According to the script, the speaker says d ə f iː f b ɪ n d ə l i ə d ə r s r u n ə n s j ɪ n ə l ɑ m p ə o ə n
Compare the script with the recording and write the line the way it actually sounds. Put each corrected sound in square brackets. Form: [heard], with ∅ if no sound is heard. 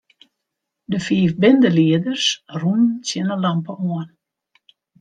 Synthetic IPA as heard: d ə f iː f b ɪ n d ə l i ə d ə r s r u n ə n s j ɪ n ə l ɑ m p ə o ə n